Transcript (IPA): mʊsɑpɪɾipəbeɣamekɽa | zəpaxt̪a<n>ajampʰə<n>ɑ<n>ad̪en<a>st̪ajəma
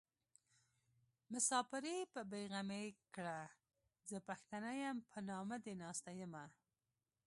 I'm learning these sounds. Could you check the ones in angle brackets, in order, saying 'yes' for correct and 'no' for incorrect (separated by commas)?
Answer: yes, yes, no, no